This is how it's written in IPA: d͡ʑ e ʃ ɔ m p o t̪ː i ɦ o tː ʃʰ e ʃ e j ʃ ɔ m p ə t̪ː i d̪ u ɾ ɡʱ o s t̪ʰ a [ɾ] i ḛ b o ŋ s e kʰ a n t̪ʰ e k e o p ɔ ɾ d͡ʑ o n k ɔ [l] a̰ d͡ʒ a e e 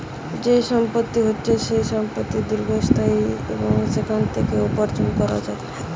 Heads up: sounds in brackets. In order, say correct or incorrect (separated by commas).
incorrect, incorrect